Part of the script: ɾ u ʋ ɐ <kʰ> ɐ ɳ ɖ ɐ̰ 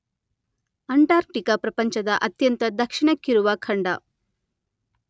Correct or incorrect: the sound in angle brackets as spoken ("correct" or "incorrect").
correct